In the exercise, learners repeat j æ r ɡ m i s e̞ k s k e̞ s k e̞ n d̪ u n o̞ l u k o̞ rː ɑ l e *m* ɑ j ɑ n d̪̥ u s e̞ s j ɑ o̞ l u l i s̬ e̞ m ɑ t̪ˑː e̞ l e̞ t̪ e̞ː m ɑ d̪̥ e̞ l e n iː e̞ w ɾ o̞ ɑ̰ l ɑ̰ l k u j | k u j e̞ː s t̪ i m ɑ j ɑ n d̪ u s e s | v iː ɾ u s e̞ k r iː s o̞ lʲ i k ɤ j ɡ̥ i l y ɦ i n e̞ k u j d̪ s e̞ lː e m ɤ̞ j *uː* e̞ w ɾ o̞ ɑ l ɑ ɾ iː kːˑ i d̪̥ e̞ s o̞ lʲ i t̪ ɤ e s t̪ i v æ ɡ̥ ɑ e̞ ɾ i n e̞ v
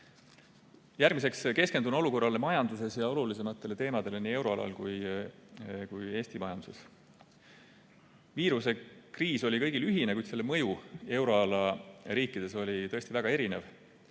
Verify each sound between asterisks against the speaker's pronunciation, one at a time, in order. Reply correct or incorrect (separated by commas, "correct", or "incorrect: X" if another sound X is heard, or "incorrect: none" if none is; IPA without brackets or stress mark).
correct, incorrect: u